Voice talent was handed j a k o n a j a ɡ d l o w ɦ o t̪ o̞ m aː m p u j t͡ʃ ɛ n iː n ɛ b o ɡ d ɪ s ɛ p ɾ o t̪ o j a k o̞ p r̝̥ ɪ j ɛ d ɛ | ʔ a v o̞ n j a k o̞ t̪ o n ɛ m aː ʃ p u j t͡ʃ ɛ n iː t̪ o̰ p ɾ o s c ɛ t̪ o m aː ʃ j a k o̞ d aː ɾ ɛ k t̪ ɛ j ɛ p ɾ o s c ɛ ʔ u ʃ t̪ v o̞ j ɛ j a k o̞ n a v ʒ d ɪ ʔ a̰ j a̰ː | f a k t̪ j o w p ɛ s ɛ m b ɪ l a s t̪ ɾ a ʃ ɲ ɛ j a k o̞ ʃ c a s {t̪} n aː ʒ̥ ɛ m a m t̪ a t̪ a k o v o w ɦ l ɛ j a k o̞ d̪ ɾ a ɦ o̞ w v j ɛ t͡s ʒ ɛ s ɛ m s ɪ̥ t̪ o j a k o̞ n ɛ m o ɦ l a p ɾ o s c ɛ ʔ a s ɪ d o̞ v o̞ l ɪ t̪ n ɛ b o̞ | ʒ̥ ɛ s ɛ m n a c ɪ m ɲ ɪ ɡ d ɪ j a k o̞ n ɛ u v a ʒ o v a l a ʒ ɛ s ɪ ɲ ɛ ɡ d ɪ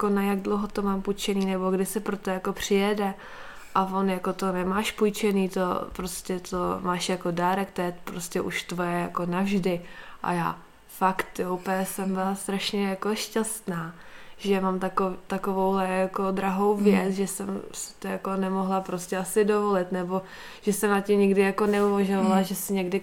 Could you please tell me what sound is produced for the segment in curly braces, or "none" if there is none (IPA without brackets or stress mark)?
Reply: t̪